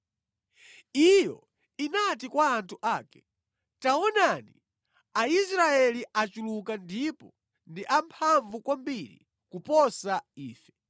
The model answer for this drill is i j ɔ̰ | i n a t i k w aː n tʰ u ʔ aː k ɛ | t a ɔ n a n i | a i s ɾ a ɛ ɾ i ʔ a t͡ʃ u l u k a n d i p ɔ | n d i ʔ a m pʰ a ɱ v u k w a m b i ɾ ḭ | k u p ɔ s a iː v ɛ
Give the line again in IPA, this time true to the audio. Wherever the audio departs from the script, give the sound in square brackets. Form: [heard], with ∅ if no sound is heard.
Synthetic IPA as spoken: i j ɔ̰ | i n a t i k w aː n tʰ u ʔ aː k ɛ | t a ɔ n a n i | a i s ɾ a ɛ [l] i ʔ a t͡ʃ u l u k a n d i p ɔ | n d i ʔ a m pʰ a ɱ v u k w a m b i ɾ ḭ | k u p ɔ s a iː [f] ɛ

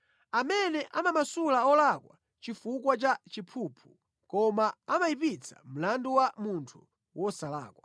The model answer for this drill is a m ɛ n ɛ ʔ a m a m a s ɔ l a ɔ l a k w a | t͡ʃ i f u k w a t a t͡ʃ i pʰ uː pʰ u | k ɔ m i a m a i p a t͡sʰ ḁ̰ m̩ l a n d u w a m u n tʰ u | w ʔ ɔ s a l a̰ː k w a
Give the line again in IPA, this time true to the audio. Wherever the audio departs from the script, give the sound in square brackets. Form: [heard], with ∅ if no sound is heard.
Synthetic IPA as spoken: a m ɛ n ɛ ʔ a m a m a s [u] l a ɔ l a k w a | t͡ʃ i f u k w a [t͡ʃ] a t͡ʃ i pʰ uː pʰ u | k ɔ m [a] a m a i p [i] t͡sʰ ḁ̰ m̩ l a n d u w a m u n tʰ u | w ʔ ɔ s a l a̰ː k w a

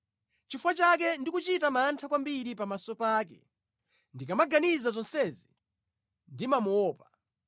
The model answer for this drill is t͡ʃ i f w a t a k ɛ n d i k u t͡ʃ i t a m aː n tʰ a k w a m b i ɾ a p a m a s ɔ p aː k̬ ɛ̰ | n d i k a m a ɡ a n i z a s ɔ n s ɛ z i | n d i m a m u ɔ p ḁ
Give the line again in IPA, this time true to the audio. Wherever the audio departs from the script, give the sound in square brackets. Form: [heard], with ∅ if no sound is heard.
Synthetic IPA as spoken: t͡ʃ i f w a [t͡ʃ] a k ɛ n d i k u t͡ʃ i t a m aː n tʰ a k w a m b i ɾ [i] p a m a s ɔ p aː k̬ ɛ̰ | n d i k a m a ɡ a n i z a [z] ɔ n s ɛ z i | n d i m a m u [ɔː] p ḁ

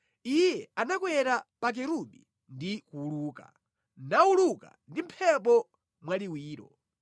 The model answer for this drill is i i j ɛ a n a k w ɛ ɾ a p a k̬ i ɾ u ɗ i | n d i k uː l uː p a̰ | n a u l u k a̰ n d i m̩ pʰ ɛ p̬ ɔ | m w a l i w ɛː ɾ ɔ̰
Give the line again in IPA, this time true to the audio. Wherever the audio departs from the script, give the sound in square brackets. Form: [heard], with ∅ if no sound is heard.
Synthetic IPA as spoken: i [j] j ɛ a n a k w ɛ ɾ a p a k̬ [ɛ] ɾ u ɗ i | n d i k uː l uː [k] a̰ | n a u l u k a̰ n d i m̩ pʰ ɛ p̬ ɔ | m w a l i w [iː] ɾ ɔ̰

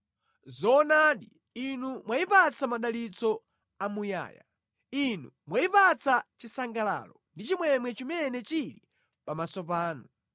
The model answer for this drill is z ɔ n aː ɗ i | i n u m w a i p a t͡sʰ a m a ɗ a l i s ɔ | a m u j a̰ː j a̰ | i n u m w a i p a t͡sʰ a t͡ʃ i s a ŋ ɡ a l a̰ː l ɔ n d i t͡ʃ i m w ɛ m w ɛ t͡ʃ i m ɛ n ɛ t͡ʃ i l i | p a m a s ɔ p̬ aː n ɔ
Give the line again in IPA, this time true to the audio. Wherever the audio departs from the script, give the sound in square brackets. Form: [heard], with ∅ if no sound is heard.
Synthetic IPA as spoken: z ɔ n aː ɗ i | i n u m w a i p a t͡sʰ a m a ɗ a l i [t͡s] ɔ | a m u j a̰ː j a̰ | i n u m w a i p a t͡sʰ a t͡ʃ i s a ŋ ɡ a l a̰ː l ɔ n d i t͡ʃ i m w ɛ m w ɛ t͡ʃ i m ɛ n ɛ t͡ʃ i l i | p a m a s ɔ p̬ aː n [u]

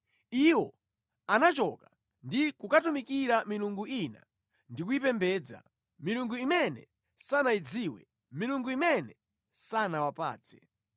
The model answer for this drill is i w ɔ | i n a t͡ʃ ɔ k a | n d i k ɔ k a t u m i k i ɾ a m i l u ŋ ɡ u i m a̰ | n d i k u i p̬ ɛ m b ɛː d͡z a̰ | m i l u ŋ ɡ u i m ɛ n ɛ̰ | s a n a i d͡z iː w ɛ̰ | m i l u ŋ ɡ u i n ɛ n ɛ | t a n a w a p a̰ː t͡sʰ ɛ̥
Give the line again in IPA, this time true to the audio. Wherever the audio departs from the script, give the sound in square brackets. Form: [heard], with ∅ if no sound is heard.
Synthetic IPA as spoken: i w ɔ | [a] n a t͡ʃ ɔ k a | n d i k [u] k a t u m i k i ɾ a m i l u ŋ ɡ u i [n] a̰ | n d i k u i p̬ ɛ m b ɛː d͡z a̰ | m i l u ŋ ɡ u i m ɛ n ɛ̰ | s a n a i d͡z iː w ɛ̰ | m i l u ŋ ɡ u i [m] ɛ n ɛ | [s] a n a w a p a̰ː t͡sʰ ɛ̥

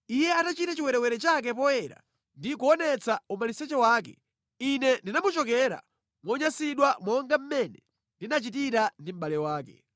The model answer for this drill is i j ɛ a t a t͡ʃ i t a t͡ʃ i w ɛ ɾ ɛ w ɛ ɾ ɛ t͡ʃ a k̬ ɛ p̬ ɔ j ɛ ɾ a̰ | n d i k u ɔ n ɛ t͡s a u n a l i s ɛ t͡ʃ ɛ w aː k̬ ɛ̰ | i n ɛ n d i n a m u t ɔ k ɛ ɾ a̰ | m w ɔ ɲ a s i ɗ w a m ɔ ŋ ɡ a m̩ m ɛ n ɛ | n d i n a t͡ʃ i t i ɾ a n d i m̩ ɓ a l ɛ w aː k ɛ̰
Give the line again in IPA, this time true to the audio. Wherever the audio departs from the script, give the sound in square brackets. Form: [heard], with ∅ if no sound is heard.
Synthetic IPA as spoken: i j ɛ a t a t͡ʃ i t a t͡ʃ i w ɛ ɾ ɛ w ɛ ɾ ɛ t͡ʃ a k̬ ɛ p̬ ɔ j ɛ ɾ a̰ | n d i k u ɔ n ɛ t͡s a u [m] a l i s ɛ t͡ʃ ɛ w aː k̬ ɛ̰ | i n ɛ n d i n a m u [t͡ʃ] ɔ k ɛ ɾ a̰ | m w ɔ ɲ a s i ɗ w a m ɔ ŋ ɡ a m̩ m ɛ n ɛ | n d i n a t͡ʃ i t i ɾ a n d i m̩ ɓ a l ɛ w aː k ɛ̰

